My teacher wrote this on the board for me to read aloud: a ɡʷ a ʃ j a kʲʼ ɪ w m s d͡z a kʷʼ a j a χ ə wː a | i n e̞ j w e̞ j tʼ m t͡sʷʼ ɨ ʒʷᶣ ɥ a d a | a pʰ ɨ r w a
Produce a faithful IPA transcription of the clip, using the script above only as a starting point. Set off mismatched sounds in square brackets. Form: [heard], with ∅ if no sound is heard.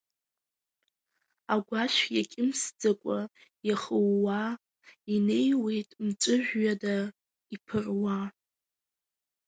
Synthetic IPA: a ɡʷ a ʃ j a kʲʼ ɪ [∅] m s d͡z a kʷʼ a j a χ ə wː a | i n e̞ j w e̞ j tʼ m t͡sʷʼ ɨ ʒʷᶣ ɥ a d a | [i] pʰ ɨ r w a